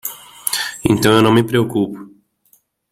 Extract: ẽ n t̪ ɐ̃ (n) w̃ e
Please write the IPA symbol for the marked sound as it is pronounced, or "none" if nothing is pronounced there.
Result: none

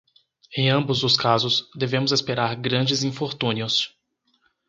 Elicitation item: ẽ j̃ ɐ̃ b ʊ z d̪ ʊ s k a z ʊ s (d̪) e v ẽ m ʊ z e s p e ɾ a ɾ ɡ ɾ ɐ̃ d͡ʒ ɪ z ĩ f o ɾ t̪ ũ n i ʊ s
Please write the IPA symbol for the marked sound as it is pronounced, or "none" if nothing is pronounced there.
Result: d̪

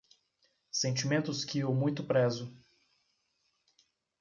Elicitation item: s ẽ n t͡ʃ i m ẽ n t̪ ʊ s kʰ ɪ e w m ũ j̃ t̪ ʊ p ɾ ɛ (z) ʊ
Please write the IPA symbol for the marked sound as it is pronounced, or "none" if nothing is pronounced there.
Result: z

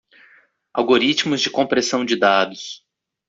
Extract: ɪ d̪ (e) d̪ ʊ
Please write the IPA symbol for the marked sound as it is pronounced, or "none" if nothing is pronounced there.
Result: a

